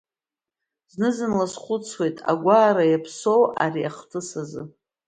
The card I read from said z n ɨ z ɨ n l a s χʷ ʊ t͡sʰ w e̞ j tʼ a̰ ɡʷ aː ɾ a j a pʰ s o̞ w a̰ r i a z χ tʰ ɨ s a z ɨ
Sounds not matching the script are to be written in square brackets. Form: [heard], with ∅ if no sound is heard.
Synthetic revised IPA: z n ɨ z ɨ n l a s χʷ ʊ t͡sʰ w e̞ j tʼ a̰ ɡʷ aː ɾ a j a pʰ s o̞ w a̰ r i a [∅] χ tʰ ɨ s a z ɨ